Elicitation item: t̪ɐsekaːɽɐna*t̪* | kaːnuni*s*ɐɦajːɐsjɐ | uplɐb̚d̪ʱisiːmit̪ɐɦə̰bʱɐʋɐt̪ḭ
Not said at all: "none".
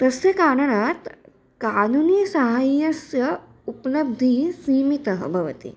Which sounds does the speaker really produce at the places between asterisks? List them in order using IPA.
t̪, s

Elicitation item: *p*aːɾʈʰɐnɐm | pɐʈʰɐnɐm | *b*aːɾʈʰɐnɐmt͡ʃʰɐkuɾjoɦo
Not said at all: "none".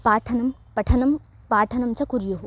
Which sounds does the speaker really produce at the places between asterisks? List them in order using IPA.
p, p

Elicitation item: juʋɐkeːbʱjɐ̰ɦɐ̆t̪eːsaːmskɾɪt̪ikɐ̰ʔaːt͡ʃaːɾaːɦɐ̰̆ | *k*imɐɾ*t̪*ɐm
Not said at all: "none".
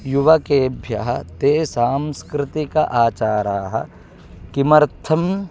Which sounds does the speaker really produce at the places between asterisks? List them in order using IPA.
k, t̪ʰ

